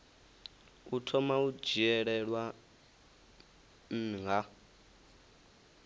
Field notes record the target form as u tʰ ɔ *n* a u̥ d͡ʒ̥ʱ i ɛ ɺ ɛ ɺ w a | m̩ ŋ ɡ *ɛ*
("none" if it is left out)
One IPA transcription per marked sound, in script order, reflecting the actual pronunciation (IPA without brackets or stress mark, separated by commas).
m, a